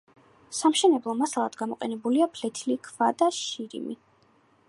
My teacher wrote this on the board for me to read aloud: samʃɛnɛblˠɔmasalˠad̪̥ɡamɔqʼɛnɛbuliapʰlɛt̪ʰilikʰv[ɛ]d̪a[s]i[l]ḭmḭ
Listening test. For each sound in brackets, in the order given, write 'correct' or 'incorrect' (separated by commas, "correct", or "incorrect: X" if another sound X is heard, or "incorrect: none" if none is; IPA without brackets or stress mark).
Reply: incorrect: a, incorrect: ʃ, incorrect: ɾ